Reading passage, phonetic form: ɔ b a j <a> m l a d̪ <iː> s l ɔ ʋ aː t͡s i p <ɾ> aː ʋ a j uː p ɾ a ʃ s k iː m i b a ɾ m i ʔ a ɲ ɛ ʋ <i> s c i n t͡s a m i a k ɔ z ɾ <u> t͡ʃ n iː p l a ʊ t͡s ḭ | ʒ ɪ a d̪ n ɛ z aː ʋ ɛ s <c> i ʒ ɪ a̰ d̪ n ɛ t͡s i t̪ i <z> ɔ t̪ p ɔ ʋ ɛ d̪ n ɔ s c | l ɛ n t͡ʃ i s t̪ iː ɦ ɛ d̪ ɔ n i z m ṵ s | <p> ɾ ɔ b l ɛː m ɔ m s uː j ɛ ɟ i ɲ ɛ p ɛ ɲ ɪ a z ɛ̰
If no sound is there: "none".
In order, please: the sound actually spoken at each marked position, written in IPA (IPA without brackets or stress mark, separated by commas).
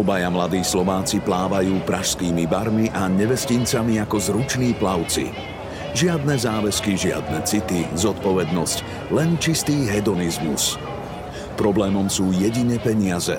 a, iː, l, ɛ, u, k, z, p